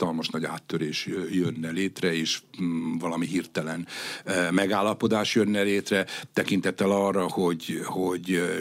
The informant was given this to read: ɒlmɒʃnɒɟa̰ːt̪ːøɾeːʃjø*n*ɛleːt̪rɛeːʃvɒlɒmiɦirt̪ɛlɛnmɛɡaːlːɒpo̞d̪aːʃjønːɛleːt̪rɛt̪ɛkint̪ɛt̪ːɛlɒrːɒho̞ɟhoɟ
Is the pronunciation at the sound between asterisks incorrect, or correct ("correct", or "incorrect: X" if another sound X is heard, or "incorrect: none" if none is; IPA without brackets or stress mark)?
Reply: incorrect: nː